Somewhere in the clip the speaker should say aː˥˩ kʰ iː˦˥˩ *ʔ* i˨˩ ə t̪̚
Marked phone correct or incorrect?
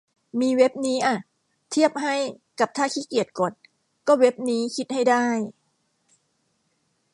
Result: incorrect